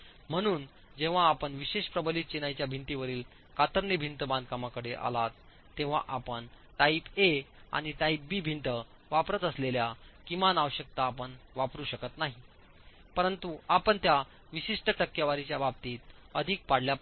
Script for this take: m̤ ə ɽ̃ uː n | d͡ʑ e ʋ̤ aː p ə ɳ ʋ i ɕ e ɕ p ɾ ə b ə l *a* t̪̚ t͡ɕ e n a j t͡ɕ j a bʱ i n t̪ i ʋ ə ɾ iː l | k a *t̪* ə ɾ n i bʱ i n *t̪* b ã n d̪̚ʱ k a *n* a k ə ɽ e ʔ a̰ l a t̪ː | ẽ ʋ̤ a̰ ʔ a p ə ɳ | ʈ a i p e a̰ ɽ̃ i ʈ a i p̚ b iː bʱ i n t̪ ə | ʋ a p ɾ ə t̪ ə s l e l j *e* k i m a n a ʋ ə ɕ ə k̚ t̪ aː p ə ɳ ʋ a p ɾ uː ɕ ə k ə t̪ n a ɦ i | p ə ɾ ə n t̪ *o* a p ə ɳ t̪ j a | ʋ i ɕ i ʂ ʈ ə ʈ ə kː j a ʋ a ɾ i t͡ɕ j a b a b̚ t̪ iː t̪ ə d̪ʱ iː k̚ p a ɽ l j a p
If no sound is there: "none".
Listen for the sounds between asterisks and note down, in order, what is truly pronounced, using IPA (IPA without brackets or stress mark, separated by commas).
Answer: i, t̪, t̪, m, a, u